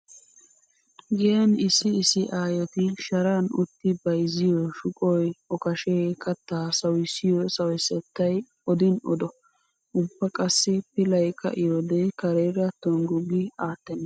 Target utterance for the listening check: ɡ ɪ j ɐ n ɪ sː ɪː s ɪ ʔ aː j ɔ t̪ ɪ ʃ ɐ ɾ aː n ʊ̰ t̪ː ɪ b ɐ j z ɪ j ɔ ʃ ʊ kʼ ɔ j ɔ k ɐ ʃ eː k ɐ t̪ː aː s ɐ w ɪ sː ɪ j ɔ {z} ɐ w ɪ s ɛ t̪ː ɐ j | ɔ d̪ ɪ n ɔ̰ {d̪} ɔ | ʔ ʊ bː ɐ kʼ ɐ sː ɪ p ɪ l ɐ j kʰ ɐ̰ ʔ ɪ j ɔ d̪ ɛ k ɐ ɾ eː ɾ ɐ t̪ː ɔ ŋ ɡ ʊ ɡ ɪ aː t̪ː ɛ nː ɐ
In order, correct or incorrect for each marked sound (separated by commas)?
incorrect, correct